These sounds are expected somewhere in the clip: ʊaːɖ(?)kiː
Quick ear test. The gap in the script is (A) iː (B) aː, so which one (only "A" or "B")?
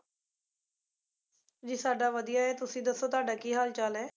B